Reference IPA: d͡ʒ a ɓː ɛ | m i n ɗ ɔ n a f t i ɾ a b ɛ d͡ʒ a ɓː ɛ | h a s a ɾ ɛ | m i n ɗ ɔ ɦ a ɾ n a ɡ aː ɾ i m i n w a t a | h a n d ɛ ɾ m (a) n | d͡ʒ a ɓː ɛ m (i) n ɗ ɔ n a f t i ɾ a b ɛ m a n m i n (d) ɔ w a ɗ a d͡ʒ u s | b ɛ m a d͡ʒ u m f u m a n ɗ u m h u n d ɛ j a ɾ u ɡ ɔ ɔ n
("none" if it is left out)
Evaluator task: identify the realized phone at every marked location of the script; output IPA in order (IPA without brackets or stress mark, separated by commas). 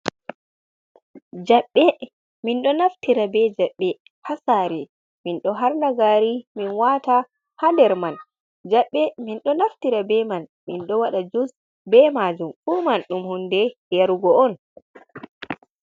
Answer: a, i, ɗ